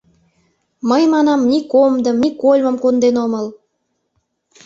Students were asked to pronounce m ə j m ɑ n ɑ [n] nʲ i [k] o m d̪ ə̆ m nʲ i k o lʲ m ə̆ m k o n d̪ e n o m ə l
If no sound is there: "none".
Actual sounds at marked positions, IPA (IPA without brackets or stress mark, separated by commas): m, k